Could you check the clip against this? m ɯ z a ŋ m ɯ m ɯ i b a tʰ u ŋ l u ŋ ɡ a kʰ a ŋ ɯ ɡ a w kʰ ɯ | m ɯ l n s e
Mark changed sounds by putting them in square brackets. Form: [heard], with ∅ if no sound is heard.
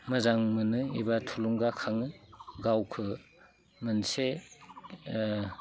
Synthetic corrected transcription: m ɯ z a ŋ m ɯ [n] ɯ i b a tʰ u [∅] l u ŋ ɡ a kʰ a ŋ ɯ ɡ a w kʰ ɯ | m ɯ [∅] n s e